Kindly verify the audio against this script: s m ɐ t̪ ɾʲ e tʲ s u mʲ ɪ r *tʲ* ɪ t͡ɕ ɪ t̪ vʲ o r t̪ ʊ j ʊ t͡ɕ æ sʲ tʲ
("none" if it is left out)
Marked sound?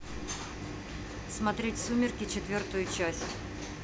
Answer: kʲ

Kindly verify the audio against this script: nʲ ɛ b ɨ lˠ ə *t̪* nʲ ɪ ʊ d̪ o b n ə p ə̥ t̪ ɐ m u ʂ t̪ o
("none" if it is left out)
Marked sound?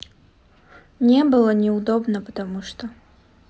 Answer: none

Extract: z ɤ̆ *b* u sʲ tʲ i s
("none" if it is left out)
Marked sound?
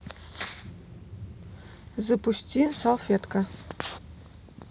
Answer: p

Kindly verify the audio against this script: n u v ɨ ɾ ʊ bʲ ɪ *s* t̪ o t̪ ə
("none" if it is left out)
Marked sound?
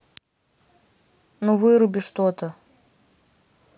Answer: ʂ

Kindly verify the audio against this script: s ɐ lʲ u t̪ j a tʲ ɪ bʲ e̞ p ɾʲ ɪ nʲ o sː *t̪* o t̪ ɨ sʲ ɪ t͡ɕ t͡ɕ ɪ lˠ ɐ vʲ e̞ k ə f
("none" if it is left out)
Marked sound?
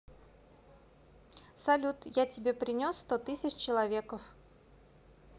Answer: t̪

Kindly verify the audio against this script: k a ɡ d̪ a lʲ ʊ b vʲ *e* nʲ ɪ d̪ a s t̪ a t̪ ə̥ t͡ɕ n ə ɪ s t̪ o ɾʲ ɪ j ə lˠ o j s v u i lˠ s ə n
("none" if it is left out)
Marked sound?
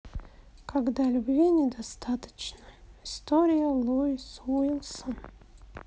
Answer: i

